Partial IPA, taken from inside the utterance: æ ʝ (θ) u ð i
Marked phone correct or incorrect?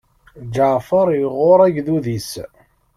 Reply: incorrect: ð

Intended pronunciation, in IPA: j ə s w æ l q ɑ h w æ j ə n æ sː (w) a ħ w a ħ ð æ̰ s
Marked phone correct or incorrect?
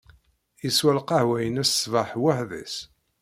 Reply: incorrect: v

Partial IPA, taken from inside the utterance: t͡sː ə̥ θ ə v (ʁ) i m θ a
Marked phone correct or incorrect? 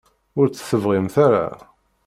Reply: correct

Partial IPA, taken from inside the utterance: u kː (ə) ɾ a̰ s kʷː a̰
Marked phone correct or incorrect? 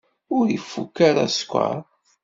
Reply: incorrect: a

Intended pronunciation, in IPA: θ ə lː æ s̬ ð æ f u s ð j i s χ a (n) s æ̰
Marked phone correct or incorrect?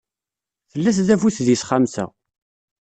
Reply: incorrect: m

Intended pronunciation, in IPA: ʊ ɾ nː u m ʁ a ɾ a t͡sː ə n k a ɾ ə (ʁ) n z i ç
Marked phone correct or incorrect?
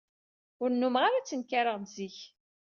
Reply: correct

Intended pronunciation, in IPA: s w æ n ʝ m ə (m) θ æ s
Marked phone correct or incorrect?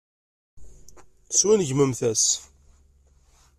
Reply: correct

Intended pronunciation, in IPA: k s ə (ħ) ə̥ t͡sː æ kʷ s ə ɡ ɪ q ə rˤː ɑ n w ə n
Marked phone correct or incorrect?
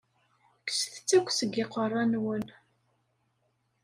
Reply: incorrect: θ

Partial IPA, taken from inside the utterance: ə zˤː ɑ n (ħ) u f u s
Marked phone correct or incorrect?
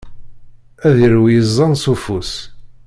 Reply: incorrect: s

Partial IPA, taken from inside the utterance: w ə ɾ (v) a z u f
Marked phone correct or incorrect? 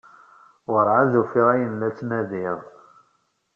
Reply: incorrect: ʕ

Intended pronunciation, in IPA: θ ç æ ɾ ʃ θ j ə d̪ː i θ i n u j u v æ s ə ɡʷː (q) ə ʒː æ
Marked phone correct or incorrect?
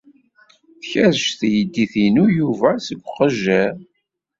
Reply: correct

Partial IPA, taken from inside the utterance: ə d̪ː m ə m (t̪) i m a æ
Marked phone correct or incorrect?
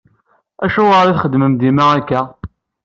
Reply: incorrect: d̪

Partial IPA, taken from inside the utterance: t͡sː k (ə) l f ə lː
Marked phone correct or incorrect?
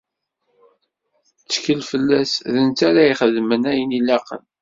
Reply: correct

